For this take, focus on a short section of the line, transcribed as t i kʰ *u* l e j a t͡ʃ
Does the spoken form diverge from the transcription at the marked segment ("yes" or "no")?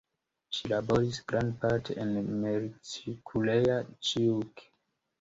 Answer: no